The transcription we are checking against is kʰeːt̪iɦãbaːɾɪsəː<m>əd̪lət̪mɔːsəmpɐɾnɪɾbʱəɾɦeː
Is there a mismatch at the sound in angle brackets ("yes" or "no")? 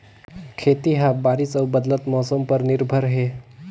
yes